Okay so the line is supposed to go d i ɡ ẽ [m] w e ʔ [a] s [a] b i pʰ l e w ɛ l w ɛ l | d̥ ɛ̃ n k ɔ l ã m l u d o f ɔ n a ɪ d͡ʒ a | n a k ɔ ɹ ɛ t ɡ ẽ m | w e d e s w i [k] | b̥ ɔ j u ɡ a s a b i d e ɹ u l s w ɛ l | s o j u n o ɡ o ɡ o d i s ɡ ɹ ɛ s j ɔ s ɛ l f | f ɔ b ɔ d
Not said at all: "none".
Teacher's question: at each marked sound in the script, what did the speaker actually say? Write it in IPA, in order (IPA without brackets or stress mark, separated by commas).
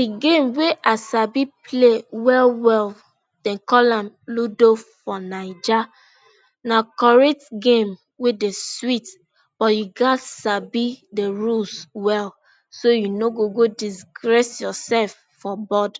m, a, a, t